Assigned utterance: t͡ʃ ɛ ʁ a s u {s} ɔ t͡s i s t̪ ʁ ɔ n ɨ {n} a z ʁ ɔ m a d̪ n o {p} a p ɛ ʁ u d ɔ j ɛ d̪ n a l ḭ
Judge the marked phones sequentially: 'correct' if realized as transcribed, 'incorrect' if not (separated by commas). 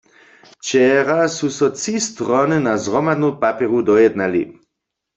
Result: correct, correct, correct